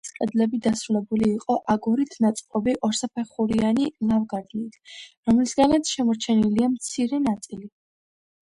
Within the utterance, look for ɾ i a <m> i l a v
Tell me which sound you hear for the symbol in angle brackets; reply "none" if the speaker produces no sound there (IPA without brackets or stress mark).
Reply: n